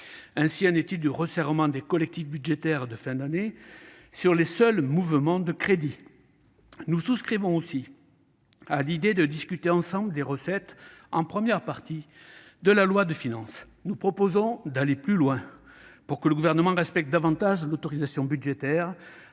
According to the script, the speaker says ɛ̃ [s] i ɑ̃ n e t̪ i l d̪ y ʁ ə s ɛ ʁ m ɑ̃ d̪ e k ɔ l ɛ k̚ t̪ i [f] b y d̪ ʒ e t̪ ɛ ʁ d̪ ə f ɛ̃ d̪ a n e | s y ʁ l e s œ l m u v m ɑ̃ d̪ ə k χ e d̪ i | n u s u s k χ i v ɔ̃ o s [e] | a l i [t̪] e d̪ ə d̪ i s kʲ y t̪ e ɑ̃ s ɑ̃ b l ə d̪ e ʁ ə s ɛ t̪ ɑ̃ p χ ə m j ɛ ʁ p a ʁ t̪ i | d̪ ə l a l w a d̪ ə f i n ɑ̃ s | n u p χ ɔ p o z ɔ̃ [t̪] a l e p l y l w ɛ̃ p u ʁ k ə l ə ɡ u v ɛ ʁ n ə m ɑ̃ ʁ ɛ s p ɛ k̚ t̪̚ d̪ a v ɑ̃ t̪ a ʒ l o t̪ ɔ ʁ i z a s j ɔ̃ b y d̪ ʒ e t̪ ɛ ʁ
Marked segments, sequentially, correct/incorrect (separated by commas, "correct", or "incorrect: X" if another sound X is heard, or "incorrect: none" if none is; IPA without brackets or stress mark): correct, correct, incorrect: i, incorrect: d̪, incorrect: d̪